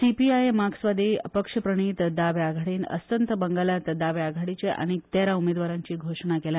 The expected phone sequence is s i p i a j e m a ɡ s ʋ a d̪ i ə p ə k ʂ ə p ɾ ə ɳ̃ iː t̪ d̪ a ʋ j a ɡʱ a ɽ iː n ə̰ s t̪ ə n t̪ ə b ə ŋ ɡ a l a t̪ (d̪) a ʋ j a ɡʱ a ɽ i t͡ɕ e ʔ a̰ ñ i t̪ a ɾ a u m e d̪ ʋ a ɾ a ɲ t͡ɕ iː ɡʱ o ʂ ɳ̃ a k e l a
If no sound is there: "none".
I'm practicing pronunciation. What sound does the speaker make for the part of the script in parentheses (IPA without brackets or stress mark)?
d̪